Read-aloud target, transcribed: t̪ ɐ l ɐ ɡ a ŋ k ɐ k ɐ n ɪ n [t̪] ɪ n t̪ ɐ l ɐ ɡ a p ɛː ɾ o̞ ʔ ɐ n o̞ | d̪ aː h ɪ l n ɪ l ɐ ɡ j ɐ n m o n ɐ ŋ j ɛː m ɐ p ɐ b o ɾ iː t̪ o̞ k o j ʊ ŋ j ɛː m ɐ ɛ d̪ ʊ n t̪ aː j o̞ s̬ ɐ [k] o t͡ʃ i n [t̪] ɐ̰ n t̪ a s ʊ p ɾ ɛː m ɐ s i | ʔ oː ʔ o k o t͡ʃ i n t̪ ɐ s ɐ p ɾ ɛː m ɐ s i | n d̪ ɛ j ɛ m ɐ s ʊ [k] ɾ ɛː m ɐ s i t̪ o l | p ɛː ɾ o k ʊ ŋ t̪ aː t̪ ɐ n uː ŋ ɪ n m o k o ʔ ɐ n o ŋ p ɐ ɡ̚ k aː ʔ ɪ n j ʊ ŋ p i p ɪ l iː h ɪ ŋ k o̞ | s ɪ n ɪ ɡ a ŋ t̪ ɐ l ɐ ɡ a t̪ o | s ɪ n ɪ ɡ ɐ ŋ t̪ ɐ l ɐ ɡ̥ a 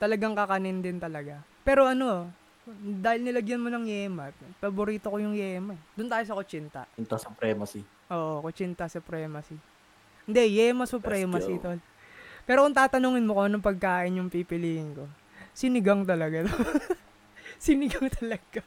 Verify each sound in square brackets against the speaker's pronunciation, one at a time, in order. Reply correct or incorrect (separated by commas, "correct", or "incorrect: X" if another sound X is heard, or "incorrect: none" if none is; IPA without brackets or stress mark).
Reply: incorrect: d̪, correct, correct, incorrect: p